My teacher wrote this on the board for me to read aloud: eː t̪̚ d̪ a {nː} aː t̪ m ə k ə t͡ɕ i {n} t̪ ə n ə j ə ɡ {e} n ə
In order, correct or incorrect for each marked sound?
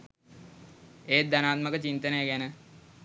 incorrect: n, correct, incorrect: æ

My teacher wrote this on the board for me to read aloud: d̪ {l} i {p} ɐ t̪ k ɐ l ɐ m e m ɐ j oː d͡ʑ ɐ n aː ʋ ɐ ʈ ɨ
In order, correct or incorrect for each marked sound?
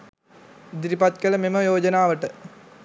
incorrect: ɾ, correct

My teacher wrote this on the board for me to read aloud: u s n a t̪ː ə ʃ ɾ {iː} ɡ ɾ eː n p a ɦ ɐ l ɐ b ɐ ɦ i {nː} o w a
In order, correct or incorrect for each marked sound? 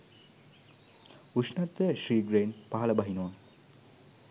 correct, incorrect: n

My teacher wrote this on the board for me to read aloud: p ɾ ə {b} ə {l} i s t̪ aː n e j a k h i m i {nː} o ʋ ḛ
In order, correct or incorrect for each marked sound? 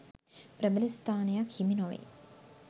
correct, correct, incorrect: n

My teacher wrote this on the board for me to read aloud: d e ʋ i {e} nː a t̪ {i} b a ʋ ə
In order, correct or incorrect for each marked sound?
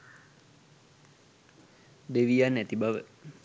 incorrect: a, correct

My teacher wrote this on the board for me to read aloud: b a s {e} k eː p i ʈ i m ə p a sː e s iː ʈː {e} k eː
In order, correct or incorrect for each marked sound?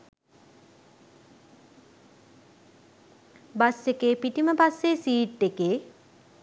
correct, correct

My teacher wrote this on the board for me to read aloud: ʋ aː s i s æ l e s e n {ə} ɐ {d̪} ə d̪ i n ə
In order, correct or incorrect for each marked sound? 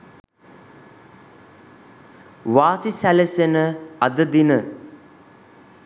correct, correct

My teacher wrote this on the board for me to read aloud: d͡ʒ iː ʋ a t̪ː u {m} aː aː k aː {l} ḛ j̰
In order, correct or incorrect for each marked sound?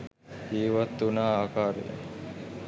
incorrect: n, incorrect: ɾ

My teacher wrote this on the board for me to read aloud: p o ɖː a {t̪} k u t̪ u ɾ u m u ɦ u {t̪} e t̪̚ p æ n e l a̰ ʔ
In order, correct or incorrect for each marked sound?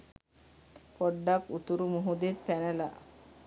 incorrect: none, incorrect: d̪

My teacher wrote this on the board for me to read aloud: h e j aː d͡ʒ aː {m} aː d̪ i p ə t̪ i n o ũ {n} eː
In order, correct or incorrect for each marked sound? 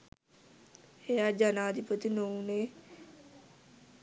incorrect: n, correct

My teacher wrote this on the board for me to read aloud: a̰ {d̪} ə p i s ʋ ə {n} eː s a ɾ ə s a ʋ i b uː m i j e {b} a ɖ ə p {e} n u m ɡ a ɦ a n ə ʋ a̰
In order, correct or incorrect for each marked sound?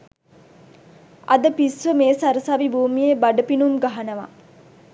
correct, incorrect: m, correct, incorrect: i

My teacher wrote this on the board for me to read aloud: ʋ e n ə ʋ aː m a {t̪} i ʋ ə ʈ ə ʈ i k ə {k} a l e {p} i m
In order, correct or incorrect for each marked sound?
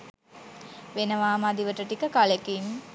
incorrect: d̪, correct, incorrect: k

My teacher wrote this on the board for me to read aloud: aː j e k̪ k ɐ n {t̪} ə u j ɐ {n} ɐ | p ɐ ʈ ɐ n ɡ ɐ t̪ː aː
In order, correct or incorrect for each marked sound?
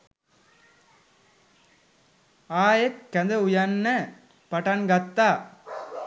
incorrect: d̪, incorrect: nː

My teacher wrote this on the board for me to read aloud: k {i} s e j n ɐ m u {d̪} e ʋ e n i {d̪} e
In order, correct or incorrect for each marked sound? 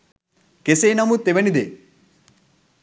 incorrect: e, incorrect: t̪, correct

